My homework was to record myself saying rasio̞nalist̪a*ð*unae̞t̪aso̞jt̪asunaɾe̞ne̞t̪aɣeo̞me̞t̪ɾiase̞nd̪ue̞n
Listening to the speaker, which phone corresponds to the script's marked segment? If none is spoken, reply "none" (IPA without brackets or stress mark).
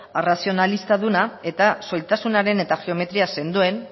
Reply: ð